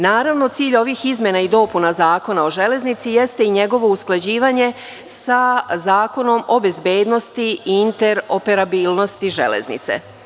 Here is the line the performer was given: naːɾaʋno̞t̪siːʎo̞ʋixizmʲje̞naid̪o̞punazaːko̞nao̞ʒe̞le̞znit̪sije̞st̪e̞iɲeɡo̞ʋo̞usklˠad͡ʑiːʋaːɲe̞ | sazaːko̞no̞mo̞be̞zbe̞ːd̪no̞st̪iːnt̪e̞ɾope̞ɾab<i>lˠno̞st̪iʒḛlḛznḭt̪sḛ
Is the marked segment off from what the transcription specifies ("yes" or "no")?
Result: yes